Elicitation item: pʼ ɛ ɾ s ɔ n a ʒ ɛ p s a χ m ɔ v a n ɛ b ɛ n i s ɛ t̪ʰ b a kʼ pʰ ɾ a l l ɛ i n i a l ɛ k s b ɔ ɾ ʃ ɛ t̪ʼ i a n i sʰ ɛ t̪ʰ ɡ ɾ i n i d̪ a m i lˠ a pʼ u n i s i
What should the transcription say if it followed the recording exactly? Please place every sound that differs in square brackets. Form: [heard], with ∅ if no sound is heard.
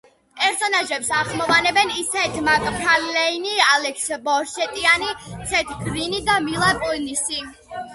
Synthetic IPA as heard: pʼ ɛ ɾ s ɔ n a ʒ ɛ p s a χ m ɔ v a n ɛ b ɛ n i s ɛ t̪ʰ [m] a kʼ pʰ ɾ a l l ɛ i n i a l ɛ k s b ɔ ɾ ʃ ɛ t̪ʼ i a n i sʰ ɛ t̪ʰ ɡ ɾ i n i d̪ a m i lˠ a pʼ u n i s i